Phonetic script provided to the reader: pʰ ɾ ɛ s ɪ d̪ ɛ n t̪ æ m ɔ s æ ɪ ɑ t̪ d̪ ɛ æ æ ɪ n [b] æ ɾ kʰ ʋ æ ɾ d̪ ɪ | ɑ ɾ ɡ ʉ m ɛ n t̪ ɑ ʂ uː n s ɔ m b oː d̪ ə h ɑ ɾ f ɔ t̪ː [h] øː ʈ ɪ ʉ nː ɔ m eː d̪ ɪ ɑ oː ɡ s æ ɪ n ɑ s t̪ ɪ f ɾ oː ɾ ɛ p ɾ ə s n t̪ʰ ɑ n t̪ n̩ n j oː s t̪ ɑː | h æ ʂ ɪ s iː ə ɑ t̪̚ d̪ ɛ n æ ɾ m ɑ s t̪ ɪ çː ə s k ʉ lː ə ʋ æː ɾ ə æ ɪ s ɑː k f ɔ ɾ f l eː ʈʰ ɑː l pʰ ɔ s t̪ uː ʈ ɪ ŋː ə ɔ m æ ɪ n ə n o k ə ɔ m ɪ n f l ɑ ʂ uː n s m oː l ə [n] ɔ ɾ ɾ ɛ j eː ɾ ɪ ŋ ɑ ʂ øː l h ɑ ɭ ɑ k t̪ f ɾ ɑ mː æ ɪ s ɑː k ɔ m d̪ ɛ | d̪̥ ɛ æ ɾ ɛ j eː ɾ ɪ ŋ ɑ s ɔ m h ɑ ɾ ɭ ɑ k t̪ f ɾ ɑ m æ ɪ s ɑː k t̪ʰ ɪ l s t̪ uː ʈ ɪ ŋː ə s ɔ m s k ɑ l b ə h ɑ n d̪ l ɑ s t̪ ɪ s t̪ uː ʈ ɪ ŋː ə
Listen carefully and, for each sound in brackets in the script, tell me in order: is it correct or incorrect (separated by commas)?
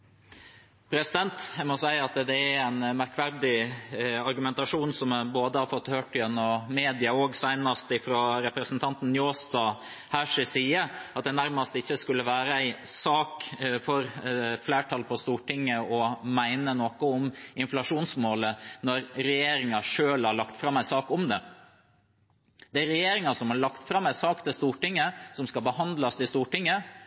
incorrect, correct, correct